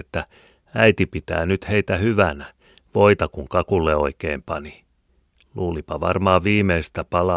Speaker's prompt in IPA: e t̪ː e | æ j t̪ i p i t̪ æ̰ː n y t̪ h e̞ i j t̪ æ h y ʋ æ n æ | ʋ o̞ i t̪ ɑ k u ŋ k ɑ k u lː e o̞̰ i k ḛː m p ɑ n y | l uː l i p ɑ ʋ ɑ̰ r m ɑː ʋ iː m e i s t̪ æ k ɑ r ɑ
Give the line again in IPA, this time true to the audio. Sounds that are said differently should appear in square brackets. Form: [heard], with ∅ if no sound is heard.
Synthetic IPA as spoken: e t̪ː [æ] | æ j t̪ i p i t̪ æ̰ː n y t̪ h e̞ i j t̪ æ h y ʋ æ n æ | ʋ o̞ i t̪ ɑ k u ŋ k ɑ k u lː e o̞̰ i k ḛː m p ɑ n [i] | l uː l i p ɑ ʋ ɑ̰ r m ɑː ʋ iː m e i s t̪ æ [p] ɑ [l] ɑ